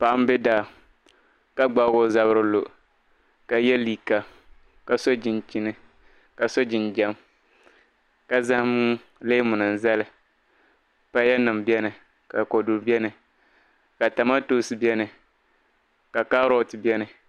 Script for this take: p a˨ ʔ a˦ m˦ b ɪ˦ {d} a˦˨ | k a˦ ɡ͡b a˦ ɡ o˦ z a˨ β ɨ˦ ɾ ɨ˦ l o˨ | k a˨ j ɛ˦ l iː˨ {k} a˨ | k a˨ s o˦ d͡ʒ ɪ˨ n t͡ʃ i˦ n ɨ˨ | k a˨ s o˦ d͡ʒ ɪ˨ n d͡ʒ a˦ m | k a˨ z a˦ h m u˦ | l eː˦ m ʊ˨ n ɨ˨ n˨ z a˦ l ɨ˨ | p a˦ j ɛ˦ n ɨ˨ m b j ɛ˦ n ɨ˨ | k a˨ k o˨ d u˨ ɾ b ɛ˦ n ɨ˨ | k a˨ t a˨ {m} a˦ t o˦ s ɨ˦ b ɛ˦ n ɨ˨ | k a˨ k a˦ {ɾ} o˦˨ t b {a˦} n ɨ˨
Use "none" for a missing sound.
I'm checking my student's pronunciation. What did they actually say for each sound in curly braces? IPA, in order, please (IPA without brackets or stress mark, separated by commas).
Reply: d, k, m, ɾ, ɛ˦